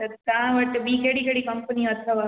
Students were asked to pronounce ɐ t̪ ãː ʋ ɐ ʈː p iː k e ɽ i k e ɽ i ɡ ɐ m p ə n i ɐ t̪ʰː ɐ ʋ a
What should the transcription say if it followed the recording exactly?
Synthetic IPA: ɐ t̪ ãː ʋ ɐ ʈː b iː k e ɽ i k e ɽ i k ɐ m p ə n i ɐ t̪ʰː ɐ ʋ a

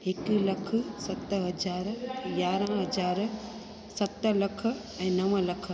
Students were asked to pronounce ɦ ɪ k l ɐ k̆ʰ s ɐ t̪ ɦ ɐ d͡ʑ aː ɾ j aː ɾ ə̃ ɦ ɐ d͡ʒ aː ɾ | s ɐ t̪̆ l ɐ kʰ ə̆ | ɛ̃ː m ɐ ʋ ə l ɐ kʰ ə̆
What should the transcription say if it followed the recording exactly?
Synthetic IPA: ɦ ɪ k l ɐ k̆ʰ s ɐ t̪ ɦ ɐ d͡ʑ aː ɾ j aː ɾ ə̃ ɦ ɐ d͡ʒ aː ɾ | s ɐ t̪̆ l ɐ kʰ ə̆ | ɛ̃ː n ɐ ʋ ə l ɐ kʰ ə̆

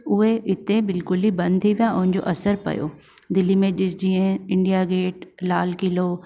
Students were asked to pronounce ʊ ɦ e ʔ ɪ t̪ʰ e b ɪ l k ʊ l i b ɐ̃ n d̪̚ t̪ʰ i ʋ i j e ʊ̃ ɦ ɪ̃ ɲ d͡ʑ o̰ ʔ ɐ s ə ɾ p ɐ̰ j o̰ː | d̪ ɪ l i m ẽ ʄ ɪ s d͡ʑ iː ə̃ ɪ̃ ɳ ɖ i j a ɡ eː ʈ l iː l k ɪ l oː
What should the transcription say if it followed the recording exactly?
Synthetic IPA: ʊ ɦ e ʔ ɪ t̪ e b ɪ l k ʊ l i b ɐ̃ n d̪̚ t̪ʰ i ʋ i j a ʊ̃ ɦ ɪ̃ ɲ d͡ʑ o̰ ʔ ɐ s ə ɾ p ɐ̰ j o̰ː | d̪ ɪ l i m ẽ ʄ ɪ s d͡ʑ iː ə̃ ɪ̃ ɳ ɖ i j a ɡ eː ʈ l aː l k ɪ l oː

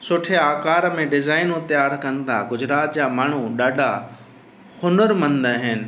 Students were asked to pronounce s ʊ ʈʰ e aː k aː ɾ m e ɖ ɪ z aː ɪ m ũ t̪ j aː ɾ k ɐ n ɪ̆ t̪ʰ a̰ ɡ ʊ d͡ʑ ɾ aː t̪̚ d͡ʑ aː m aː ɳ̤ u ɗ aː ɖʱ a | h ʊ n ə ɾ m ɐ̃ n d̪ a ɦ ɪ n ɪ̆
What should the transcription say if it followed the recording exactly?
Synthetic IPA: s ʊ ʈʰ e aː k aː ɾ m ẽ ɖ ɪ z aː ɪ n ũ t̪ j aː ɾ k ɐ n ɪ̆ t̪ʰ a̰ ɡ ʊ d͡ʑ ɾ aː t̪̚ d͡ʑ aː m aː ɳ̤ u ɗ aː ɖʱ a | h ʊ n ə ɾ m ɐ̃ n d̪ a ɦ ɪ n ɪ̆

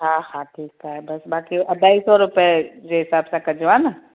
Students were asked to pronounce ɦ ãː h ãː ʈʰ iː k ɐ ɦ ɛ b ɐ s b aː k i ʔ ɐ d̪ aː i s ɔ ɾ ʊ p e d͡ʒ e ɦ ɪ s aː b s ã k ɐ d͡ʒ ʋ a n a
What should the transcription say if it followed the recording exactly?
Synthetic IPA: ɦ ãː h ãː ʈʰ iː k a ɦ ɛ b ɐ s b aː k i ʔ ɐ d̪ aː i s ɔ ɾ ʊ p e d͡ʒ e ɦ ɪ s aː b s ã k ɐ d͡ʒ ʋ a n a

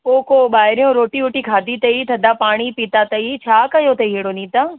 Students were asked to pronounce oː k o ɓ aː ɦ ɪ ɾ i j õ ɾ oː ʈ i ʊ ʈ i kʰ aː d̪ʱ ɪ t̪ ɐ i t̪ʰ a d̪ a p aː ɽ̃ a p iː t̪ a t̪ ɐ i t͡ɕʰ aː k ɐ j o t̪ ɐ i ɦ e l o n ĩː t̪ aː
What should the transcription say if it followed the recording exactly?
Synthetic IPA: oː k o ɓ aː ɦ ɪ ɾ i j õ ɾ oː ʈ i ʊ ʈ i kʰ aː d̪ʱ i t̪ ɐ i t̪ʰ ɐ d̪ a p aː ɽ̃ i p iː t̪ a t̪ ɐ i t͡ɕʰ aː k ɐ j o t̪ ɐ i ɦ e ɽ o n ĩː t̪ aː

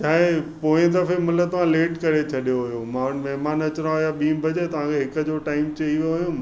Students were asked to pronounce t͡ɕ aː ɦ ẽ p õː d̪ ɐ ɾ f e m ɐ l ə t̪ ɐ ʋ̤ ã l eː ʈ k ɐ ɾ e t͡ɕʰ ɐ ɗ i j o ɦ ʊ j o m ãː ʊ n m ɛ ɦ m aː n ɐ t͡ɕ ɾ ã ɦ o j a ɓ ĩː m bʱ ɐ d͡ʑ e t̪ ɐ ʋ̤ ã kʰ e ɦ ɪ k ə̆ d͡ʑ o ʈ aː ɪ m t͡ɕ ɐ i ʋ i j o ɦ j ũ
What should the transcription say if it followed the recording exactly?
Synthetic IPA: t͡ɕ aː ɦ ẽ p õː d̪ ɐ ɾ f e m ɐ l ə t̪ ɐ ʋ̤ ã l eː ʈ k ɐ ɾ e t͡ɕʰ ɐ ɗ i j o ɦ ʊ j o m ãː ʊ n m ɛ ɦ m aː n ɐ t͡ɕ ɾ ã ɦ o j a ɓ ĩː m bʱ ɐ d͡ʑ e t̪ ɐ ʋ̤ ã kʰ e ɦ ɪ k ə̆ d͡ʑ o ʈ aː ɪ m t͡ɕ ɐ i ʋ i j o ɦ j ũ

